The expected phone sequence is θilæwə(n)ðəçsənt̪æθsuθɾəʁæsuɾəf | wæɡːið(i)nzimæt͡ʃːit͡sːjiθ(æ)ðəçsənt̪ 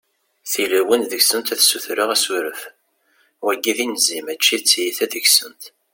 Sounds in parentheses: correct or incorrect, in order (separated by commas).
correct, correct, correct